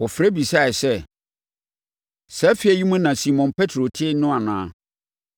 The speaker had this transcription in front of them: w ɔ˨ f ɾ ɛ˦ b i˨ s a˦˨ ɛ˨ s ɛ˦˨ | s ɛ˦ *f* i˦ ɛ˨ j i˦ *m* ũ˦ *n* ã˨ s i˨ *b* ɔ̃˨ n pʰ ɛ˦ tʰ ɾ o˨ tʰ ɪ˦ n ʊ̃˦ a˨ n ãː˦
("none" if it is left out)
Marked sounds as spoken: f, m, n, m

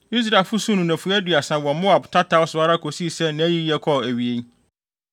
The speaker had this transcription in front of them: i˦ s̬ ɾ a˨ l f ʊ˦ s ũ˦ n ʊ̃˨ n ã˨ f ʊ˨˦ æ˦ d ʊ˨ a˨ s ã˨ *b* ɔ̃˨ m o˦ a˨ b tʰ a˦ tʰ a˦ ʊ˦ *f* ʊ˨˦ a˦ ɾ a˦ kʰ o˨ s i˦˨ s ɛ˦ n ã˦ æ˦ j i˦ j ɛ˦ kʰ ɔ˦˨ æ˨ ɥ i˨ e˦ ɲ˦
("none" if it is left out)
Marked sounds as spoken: w, s

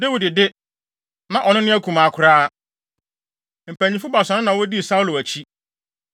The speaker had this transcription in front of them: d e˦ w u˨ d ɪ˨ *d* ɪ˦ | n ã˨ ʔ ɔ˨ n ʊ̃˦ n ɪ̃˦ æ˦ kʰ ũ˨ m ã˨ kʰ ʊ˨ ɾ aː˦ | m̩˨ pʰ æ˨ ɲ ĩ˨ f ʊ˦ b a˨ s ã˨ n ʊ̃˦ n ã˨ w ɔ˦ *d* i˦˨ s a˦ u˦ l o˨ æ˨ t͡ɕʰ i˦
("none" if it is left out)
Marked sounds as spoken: d, d

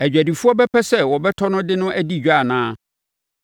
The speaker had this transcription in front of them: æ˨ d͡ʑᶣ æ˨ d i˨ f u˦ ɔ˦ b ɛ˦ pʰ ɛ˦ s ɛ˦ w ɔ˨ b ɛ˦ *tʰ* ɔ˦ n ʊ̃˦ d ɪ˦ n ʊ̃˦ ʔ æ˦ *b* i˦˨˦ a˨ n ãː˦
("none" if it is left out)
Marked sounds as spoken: tʰ, d

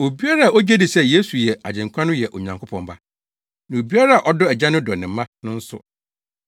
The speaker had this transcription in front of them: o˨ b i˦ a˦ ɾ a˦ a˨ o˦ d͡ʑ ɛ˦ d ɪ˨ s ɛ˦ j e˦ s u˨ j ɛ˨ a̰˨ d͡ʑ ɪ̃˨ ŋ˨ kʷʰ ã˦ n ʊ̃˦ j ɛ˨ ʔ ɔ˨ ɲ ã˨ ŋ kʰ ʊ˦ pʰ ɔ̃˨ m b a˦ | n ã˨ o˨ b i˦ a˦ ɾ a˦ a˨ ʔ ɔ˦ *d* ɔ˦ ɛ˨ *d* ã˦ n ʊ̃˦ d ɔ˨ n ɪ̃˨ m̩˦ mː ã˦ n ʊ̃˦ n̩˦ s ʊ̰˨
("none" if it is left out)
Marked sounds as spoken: d, d͡ʑ

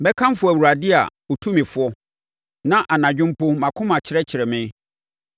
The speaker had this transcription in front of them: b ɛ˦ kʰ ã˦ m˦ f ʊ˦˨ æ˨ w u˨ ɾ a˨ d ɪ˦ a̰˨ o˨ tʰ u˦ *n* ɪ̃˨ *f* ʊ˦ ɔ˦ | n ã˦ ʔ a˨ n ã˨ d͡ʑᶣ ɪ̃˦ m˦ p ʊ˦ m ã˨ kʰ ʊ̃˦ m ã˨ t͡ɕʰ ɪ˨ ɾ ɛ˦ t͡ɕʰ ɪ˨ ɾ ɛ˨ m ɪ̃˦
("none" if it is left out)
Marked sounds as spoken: m, f

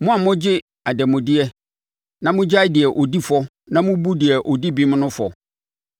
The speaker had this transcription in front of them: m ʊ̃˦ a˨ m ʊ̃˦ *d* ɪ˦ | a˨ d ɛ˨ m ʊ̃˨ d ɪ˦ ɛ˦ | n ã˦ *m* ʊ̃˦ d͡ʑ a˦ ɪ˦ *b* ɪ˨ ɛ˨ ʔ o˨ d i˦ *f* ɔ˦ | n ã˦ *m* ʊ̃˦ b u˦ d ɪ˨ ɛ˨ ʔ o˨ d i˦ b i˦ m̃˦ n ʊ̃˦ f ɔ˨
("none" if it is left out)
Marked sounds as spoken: d͡ʑ, m, d, f, m

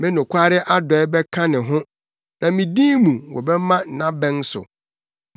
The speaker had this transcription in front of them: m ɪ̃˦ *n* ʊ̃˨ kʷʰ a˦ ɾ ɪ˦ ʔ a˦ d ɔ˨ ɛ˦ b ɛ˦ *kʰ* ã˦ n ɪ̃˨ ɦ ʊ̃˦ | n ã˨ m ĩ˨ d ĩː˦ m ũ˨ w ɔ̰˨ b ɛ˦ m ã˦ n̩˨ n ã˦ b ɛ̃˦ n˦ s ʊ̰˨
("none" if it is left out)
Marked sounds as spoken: n, kʰ

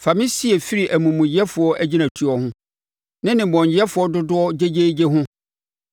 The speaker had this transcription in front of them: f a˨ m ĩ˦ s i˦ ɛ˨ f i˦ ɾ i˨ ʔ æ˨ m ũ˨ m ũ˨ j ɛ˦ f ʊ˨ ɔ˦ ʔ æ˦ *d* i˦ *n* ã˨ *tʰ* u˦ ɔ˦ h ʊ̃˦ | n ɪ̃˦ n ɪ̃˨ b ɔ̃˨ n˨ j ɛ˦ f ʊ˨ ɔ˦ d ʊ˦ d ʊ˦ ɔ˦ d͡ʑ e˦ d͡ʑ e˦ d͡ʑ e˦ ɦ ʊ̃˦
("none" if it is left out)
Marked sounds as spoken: d͡ʑ, n, tʰ

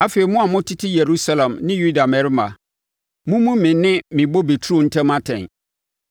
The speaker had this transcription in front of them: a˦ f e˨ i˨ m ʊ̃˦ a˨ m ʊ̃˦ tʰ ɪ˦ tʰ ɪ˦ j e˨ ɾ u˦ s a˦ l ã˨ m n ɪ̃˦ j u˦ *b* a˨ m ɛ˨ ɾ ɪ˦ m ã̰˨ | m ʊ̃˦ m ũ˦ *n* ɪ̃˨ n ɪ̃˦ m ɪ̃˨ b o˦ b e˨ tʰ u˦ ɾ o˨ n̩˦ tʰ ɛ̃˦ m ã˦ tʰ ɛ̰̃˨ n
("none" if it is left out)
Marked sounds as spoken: d, m

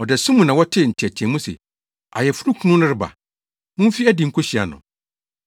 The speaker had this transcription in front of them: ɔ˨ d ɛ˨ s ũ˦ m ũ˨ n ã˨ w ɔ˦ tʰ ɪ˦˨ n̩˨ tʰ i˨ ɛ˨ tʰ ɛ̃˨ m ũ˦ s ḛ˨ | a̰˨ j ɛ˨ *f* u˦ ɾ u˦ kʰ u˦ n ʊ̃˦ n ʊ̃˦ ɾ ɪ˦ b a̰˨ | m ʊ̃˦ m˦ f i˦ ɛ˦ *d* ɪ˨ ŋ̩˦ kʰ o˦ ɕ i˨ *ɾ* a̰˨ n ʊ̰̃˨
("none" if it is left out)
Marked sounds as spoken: f, d, none

